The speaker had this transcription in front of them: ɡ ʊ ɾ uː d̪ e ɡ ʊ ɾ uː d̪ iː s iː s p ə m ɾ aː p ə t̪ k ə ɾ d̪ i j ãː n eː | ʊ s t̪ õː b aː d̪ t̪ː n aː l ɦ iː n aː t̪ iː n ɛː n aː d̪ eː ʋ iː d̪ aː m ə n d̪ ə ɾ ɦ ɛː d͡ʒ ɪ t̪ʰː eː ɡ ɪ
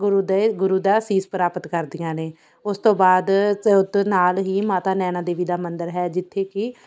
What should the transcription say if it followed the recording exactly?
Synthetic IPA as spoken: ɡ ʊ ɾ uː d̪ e ɡ ʊ ɾ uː d̪ aː s iː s p ə ɾ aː p ə t̪ k ə ɾ d̪ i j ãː n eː | ʊ s t̪ õː b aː d̪ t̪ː n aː l ɦ iː m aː t̪ aː n ɛː n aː d̪ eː ʋ iː d̪ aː m ə n d̪ ə ɾ ɦ ɛː d͡ʒ ɪ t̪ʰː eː k ɪ